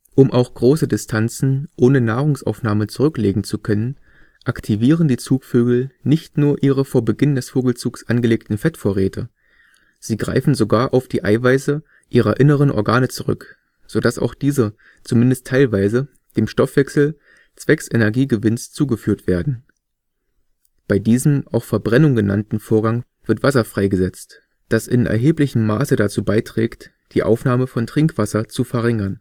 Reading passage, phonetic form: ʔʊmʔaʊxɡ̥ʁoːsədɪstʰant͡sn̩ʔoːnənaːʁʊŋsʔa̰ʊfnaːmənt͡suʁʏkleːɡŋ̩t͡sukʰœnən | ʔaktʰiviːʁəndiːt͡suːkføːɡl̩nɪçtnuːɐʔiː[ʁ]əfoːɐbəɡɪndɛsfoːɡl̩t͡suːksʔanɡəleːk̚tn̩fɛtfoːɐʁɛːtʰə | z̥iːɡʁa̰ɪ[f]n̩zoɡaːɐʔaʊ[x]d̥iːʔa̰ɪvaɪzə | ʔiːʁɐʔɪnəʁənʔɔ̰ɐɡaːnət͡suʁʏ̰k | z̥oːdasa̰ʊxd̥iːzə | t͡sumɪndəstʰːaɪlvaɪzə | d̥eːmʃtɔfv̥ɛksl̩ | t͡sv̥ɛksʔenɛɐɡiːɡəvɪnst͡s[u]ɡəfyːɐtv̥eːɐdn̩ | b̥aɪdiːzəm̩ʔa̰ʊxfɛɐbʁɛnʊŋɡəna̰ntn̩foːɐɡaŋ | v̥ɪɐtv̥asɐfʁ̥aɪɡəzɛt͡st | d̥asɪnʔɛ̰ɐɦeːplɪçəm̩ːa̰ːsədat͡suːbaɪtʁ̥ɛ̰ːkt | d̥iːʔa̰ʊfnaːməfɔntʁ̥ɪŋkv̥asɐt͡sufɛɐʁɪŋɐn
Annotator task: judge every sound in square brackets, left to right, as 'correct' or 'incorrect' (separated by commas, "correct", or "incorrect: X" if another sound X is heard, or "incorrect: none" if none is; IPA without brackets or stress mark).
correct, correct, incorrect: f, incorrect: uː